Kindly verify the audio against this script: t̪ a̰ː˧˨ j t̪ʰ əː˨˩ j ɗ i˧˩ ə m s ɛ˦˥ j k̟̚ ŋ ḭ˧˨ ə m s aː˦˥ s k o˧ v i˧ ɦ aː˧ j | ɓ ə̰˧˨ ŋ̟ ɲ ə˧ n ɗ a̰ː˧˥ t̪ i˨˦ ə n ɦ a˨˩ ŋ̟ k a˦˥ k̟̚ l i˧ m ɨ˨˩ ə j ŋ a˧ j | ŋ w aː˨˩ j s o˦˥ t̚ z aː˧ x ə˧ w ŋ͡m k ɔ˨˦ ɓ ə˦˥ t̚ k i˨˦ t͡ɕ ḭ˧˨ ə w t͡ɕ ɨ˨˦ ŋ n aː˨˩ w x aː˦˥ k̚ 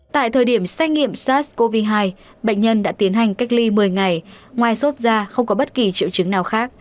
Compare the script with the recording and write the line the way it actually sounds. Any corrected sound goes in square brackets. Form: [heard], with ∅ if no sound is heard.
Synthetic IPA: t̪ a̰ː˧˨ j t̪ʰ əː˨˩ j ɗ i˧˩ ə m s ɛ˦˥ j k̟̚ ŋ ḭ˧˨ ə m s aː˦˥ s k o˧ v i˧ ɦ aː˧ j | ɓ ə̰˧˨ ŋ̟ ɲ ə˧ n ɗ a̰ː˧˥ t̪ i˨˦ ə n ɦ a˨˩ ŋ̟ k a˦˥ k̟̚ l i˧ m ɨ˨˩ ə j ŋ [a˨˩] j | ŋ w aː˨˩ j s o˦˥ t̚ z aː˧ x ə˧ w ŋ͡m k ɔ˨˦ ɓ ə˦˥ t̚ k [i˨˩] t͡ɕ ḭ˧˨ ə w t͡ɕ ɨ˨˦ ŋ n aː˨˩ w x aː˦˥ k̚